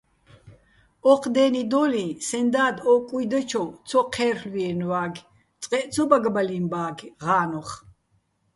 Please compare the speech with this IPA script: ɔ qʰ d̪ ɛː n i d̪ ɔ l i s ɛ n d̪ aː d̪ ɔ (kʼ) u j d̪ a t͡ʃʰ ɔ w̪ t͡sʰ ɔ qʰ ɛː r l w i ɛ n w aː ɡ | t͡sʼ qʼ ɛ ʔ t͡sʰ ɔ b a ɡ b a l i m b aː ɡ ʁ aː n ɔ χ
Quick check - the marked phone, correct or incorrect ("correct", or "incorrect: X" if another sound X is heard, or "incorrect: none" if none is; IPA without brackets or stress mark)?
correct